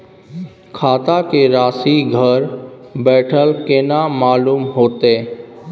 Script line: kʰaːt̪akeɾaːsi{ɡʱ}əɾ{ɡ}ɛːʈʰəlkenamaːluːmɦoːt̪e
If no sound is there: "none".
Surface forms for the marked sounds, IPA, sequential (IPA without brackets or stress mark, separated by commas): ɡʱ, b